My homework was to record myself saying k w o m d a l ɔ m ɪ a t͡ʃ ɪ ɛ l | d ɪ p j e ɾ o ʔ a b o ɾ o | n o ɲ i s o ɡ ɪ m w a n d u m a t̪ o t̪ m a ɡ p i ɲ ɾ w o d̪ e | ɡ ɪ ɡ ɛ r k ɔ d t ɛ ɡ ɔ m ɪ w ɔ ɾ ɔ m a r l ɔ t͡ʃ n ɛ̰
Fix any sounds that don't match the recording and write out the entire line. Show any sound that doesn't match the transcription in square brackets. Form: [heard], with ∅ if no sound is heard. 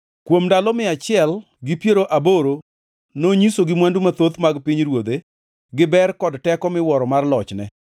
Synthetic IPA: k w o m d a l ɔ m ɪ a t͡ʃ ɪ ɛ l | [ɡ] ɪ p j e ɾ o ʔ a b o ɾ o | n o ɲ i s o ɡ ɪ m w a n d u m a t̪ o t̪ m a ɡ p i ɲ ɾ w o d̪ e | ɡ ɪ [b] ɛ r k ɔ d t ɛ [k] ɔ m ɪ w ɔ ɾ ɔ m a r l ɔ t͡ʃ n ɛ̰